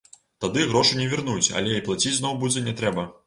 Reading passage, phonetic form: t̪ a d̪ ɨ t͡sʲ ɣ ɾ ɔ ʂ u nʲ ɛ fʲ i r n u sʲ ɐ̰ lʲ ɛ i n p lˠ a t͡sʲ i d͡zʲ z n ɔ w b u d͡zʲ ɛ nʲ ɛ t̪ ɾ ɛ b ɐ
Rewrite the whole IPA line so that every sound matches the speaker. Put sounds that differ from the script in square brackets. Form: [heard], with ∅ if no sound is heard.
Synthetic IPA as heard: t̪ a d̪ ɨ [∅] ɣ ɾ ɔ ʂ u nʲ ɛ [vʲ] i r n u [t͡sʲ] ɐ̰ lʲ ɛ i [∅] p lˠ a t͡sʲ i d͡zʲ z n ɔ w b u d͡zʲ ɛ nʲ ɛ t̪ ɾ ɛ b ɐ